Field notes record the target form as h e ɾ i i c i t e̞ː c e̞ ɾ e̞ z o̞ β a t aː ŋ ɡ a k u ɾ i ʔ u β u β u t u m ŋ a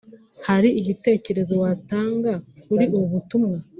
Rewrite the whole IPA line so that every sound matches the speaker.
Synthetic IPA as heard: h a ɾ i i ɟ i t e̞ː c e̞ ɾ e̞ z o̞ w a t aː ŋ ɡ a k u ɾ i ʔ u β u β u t u m ŋ a

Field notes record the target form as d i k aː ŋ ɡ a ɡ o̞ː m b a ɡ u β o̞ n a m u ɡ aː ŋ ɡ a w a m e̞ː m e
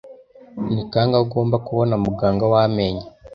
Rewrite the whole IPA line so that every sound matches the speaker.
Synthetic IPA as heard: n i k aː ŋ ɡ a ɡ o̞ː m b a k u β o̞ n a m u ɡ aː ŋ ɡ a w a m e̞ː ɲ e

